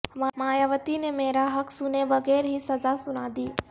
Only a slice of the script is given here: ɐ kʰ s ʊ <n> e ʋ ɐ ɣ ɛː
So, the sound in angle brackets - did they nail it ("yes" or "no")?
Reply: yes